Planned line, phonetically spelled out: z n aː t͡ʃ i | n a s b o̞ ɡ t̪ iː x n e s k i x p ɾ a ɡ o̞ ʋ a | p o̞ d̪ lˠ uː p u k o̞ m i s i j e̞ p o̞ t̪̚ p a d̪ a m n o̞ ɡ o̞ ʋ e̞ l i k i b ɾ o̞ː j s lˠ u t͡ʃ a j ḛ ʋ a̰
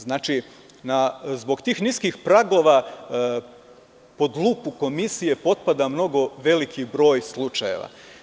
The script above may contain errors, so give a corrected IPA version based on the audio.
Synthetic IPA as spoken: z n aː t͡ʃ i | n a z b o̞ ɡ t̪ iː x n i s k i x p ɾ a ɡ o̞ ʋ a | p o̞ d̪ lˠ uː p u k o̞ m i s i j e̞ p o̞ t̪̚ p a d̪ a m n o̞ ɡ o̞ ʋ e̞ l i k i b ɾ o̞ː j s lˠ u t͡ʃ a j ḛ ʋ a̰